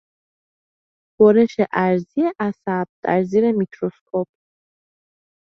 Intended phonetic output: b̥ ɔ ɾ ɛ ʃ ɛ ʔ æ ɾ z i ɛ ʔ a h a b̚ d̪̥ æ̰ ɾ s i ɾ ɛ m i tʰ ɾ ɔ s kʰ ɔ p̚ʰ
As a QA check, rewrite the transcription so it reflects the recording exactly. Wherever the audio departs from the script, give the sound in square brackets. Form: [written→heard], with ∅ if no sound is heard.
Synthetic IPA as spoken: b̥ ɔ ɾ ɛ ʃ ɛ ʔ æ ɾ z i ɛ ʔ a [h→s] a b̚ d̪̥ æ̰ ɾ [s→z] i ɾ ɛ m i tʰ ɾ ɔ s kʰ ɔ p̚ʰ